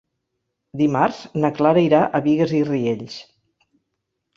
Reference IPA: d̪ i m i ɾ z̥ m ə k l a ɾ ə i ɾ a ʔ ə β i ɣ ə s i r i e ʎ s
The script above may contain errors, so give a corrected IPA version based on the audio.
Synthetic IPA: d̪ i m a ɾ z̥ n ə k l a ɾ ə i ɾ a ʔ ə β i ɣ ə z i r i e ʎ s

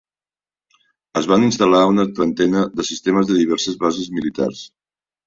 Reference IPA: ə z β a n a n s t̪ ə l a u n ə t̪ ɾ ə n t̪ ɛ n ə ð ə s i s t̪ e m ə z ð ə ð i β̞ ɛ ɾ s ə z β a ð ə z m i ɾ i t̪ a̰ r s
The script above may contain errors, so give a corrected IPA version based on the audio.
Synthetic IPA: ə z β a n i n s t̪ ə l a u n ə t̪ ɾ ə n t̪ ɛ n ə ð ə s i s t̪ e m ə z ð ə ð i β̞ ɛ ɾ s ə z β a z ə z m i l i t̪ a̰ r s

